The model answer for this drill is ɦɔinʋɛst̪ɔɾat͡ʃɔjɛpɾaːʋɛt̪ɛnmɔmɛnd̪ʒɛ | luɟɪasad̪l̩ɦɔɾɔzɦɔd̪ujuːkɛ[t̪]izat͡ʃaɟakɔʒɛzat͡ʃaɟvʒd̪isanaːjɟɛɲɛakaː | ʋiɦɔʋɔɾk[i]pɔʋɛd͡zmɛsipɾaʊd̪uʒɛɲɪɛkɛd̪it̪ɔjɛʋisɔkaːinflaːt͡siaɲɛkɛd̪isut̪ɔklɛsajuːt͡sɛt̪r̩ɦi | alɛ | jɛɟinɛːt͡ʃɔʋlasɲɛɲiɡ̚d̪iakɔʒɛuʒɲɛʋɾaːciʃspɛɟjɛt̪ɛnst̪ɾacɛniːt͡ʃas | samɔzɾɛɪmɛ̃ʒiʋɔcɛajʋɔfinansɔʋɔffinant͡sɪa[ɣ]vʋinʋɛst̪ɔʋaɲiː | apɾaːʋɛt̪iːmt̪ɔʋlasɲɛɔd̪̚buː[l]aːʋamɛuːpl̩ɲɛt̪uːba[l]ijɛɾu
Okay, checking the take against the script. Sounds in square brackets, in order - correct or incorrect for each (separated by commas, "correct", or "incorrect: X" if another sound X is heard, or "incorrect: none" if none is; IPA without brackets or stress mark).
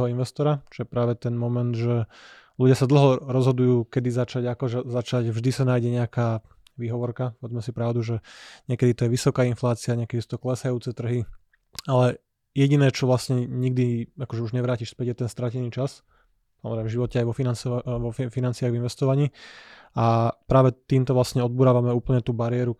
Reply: incorrect: d̪, incorrect: a, correct, incorrect: ɾ, incorrect: ɾ